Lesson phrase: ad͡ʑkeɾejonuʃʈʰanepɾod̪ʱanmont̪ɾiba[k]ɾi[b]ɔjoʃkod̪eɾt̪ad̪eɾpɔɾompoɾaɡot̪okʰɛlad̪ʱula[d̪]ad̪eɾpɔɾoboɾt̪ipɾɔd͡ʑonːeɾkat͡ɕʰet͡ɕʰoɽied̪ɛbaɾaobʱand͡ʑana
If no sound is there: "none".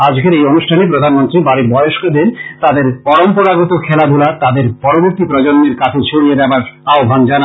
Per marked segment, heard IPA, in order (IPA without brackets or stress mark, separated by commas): none, b, t̪